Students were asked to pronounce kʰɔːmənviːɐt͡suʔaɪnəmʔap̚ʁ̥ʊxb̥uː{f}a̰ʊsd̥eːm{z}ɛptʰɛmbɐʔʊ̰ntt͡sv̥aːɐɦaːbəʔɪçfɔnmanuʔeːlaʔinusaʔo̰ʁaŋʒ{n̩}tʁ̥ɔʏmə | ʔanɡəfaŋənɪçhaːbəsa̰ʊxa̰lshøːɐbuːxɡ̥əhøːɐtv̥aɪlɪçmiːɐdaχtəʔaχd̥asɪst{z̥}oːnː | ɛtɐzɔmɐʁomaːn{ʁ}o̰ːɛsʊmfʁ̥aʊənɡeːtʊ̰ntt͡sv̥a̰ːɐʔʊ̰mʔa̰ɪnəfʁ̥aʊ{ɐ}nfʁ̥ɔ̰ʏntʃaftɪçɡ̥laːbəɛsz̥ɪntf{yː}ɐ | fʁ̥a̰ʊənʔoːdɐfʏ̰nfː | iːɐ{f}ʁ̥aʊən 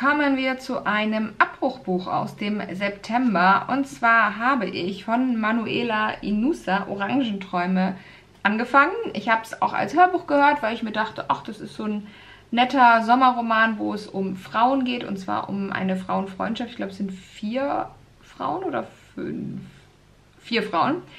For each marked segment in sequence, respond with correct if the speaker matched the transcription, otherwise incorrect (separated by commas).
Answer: incorrect, correct, correct, correct, incorrect, incorrect, incorrect, correct